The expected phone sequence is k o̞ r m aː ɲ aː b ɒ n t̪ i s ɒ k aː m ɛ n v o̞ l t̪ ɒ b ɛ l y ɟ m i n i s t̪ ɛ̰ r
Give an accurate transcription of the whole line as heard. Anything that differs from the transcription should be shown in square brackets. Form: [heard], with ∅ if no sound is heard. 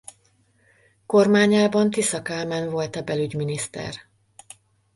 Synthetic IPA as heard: k o̞ r m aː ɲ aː b ɒ n t̪ i s ɒ k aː m ɛ n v o̞ l t̪ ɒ b ɛ l y ɟ m i n i s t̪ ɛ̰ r